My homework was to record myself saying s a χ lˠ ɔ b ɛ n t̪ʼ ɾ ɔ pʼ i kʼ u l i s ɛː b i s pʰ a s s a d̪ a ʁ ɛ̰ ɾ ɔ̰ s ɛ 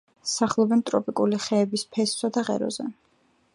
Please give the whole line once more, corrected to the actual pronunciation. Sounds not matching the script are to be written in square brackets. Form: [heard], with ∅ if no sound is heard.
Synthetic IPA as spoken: s a χ lˠ ɔ b ɛ n t̪ʼ ɾ ɔ pʼ i kʼ u l i [χ] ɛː b i s pʰ [ɛ] s s a d̪ a ʁ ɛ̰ ɾ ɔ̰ [z] ɛ